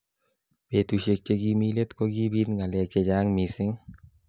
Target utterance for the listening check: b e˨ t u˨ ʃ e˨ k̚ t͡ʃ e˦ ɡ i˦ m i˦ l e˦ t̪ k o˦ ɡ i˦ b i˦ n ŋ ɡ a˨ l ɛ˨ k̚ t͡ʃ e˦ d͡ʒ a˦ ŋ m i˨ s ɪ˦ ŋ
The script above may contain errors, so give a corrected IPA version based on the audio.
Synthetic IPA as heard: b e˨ t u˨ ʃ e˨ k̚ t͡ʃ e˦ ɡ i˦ m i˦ l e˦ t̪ k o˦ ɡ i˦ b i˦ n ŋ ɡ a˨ l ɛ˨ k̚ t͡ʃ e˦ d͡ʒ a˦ ŋ m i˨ s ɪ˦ ŋ